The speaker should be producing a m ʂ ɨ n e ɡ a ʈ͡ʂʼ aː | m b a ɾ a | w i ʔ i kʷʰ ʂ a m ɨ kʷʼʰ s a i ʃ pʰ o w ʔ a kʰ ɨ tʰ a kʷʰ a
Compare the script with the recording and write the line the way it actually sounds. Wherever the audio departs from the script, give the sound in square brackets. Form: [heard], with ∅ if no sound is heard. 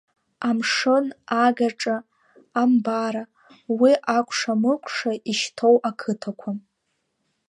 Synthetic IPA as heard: a m ʂ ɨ n [a] ɡ a ʈ͡ʂʼ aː | m b a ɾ a | w i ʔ [a] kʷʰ ʂ a m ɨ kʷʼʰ [ʂ] a i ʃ [tʰ] o w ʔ a kʰ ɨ tʰ a kʷʰ a